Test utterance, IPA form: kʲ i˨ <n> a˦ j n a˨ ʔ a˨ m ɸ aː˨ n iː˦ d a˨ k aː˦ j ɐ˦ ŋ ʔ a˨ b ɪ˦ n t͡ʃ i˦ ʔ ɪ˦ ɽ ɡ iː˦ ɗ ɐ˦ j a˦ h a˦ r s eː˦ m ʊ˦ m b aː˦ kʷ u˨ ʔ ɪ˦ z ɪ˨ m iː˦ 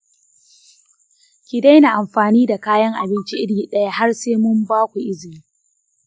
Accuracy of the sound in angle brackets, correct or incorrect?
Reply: incorrect